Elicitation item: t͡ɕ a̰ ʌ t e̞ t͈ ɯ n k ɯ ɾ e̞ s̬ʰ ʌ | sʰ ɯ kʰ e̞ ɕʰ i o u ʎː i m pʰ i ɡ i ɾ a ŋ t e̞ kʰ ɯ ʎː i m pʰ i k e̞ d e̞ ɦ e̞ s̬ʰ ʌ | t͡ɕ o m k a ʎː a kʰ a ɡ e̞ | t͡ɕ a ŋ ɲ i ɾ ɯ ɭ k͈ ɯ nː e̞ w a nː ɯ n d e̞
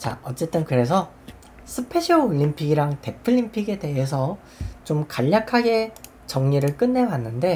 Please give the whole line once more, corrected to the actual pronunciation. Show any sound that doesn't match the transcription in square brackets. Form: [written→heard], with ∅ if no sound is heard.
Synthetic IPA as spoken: t͡ɕ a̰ ʌ [t→t͡ɕ͈] e̞ t͈ ɯ n k ɯ ɾ e̞ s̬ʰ ʌ | sʰ ɯ [kʰ→pʰ] e̞ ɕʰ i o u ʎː i m pʰ i ɡ i ɾ a ŋ t e̞ [kʰ→pʰ] ɯ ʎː i m pʰ i [k→ɡ] e̞ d e̞ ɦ e̞ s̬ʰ ʌ | t͡ɕ o m k a ʎː a kʰ a ɡ e̞ | t͡ɕ [a→ʌ] ŋ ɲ i ɾ ɯ ɭ k͈ ɯ nː e̞ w a nː ɯ n d e̞